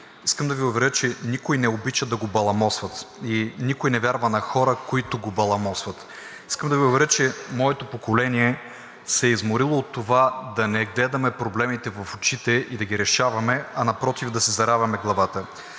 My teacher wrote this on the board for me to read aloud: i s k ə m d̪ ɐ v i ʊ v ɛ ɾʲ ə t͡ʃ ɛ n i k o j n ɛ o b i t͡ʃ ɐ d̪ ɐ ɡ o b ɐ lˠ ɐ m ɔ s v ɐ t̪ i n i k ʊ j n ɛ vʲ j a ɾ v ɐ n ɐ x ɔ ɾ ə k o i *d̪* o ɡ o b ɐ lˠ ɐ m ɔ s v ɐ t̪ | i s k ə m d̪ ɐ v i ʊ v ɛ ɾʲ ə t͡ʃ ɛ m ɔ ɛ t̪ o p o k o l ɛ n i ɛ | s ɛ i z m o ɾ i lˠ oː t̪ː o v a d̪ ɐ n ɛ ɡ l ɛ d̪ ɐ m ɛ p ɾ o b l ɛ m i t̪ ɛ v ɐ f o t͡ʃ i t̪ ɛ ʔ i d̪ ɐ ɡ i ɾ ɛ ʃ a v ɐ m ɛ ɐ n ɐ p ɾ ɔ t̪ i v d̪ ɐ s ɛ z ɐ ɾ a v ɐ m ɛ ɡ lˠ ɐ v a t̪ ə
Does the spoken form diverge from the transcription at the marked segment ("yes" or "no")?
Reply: yes